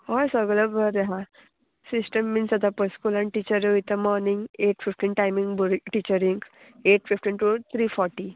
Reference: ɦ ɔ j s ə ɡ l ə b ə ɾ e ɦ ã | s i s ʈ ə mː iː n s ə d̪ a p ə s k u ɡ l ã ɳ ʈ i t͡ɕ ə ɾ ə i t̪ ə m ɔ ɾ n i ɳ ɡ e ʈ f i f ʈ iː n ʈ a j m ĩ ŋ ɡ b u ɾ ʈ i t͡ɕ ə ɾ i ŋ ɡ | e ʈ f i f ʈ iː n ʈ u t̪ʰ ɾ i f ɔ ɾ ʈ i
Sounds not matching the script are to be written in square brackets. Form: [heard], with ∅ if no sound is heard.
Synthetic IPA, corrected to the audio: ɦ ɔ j s ə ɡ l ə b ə ɾ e ɦ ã | s i s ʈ ə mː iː n s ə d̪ a p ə s k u [∅] l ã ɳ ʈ i t͡ɕ ə ɾ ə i t̪ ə m ɔ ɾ n i [ŋ] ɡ e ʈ f i f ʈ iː n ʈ a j m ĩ ŋ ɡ b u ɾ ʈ i t͡ɕ ə ɾ i ŋ ɡ | e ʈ f i f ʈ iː n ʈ u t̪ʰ ɾ i f ɔ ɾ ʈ i